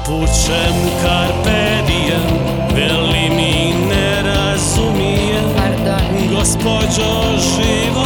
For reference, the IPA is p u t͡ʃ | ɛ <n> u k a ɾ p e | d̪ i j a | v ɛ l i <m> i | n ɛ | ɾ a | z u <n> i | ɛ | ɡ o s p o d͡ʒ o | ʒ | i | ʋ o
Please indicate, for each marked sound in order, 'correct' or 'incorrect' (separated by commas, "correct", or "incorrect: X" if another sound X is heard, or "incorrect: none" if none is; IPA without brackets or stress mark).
incorrect: m, correct, incorrect: m